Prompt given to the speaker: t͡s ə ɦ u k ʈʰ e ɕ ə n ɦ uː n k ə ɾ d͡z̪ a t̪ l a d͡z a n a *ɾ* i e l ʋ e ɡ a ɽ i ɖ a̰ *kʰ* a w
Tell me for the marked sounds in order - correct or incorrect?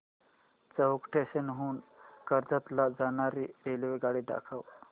correct, correct

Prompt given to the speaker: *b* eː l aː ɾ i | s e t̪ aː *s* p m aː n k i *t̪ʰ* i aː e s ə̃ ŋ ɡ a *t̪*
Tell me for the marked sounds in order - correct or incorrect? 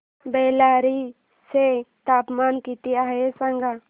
correct, incorrect: none, incorrect: t̪, incorrect: none

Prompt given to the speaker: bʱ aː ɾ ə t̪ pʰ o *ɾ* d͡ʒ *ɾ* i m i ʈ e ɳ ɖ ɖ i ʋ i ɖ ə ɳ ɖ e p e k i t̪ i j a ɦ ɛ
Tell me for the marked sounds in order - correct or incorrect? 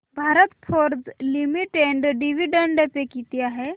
correct, incorrect: l

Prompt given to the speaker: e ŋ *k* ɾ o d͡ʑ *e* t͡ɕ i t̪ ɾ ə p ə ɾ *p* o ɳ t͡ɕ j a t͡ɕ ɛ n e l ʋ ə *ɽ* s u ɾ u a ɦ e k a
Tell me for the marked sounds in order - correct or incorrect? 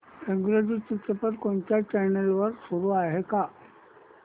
incorrect: ɡ, incorrect: i, incorrect: k, incorrect: ɾ

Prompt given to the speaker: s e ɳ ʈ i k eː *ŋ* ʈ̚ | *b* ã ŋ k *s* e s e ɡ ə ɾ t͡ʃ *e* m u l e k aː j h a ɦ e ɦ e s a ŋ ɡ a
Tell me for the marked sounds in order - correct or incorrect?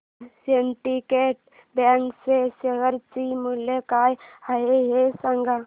incorrect: none, correct, correct, incorrect: i

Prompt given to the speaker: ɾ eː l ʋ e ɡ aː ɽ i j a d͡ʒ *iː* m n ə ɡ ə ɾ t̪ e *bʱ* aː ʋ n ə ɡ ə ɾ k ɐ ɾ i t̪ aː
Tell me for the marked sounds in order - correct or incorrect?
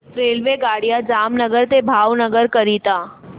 incorrect: aː, correct

